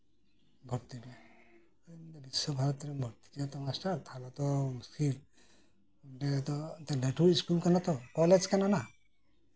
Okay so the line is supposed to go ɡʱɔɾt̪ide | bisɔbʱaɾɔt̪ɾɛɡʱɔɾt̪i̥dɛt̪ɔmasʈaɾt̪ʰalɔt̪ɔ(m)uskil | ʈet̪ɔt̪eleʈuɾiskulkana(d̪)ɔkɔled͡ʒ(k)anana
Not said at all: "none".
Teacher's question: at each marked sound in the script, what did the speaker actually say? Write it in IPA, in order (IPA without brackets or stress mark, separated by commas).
m, t̪, k